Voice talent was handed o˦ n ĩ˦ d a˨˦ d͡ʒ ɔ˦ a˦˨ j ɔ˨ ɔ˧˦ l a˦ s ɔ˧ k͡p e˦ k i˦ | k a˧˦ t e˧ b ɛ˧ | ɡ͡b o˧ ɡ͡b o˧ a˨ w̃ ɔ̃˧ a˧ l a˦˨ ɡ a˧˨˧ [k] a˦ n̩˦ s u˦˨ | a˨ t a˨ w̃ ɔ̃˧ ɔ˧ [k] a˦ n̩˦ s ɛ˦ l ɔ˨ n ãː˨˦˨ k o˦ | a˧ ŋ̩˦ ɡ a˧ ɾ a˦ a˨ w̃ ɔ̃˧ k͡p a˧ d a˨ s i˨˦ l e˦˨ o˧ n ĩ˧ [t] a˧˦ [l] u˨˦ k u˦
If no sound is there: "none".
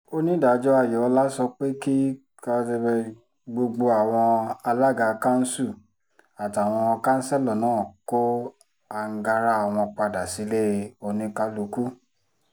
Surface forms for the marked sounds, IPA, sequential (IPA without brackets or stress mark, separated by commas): k, k, k, l